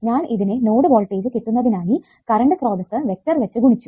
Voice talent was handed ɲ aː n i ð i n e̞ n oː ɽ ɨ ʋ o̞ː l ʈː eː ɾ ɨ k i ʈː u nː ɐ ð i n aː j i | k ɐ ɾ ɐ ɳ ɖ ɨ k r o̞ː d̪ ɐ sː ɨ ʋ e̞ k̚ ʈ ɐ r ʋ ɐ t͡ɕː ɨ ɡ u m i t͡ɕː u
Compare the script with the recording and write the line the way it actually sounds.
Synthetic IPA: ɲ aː n i ð i n e̞ n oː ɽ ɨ ʋ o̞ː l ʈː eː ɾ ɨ k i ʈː u nː ɐ ð i n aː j i | k ɐ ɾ ɐ ɳ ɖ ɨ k r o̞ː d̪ ɐ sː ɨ ʋ e̞ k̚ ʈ ɐ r ʋ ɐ t͡ɕː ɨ ɡ u ɳ i t͡ɕː u